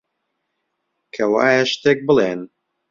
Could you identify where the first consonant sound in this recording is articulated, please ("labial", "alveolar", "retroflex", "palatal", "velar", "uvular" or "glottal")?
velar